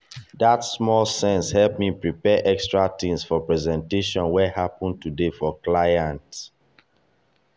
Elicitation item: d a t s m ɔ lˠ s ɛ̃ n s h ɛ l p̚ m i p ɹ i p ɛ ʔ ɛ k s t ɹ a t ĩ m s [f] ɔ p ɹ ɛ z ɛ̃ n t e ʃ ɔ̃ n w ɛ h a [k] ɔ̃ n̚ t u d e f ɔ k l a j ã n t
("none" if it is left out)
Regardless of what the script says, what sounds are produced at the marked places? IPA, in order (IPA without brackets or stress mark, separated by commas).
f, p